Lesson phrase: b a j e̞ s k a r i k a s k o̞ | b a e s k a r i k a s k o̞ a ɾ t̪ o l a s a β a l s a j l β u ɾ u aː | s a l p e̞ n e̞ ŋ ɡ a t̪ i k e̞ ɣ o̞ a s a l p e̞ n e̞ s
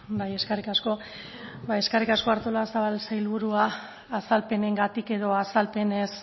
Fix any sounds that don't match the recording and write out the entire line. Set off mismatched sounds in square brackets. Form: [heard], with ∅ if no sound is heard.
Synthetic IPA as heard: b a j e̞ s k a r i k a s k o̞ | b a e s k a r i k a s k o̞ a ɾ t̪ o l a s a β a l s a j l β u ɾ u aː | s a l p e̞ n e̞ ŋ ɡ a t̪ i k e̞ [ð] o̞ a s a l p e̞ n e̞ s